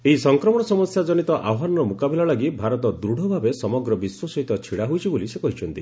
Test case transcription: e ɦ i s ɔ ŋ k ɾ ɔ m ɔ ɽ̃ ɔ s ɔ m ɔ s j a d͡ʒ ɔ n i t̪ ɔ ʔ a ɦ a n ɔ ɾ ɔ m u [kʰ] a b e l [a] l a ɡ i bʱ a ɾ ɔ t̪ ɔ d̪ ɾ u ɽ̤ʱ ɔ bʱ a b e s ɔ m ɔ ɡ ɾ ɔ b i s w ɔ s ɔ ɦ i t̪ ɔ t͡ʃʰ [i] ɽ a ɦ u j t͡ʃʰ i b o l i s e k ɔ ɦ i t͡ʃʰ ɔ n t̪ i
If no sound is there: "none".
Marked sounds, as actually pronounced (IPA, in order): k, a, i

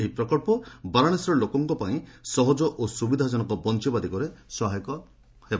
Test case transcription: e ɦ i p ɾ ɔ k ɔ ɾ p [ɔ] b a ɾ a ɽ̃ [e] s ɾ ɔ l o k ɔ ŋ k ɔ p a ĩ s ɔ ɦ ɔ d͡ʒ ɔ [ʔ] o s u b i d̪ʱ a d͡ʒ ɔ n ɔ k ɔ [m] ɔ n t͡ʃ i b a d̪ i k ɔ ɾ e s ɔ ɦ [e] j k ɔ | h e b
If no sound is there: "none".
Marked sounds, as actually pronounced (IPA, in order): ɔ, e, ʔ, b, a

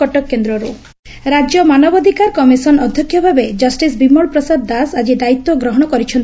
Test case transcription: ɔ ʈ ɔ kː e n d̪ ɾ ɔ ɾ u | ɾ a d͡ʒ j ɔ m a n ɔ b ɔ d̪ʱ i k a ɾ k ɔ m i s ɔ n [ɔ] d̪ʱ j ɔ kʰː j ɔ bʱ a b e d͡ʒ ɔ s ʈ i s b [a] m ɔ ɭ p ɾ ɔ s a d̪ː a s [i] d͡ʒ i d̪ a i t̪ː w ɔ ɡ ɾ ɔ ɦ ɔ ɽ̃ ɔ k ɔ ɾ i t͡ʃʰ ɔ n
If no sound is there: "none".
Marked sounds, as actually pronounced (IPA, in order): ɔ, i, a

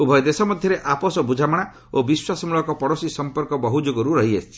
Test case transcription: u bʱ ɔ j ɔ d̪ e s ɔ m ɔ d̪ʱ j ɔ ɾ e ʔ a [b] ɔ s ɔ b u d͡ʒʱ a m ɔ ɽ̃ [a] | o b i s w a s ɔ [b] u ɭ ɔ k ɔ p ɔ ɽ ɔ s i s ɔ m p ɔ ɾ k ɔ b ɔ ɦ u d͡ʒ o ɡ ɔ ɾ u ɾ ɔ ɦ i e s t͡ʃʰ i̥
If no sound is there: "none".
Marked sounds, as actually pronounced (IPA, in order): p, a, m

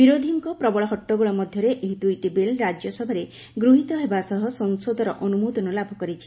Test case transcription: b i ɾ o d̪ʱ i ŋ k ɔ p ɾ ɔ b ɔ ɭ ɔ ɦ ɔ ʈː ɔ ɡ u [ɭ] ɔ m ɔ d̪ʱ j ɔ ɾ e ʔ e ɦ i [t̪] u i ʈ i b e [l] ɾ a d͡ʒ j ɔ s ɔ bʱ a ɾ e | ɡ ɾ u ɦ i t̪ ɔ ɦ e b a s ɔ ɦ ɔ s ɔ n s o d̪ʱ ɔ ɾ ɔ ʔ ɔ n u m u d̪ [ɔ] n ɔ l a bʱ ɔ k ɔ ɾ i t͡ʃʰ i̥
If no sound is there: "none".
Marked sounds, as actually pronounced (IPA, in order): ɭ, t̪, l, ɔ

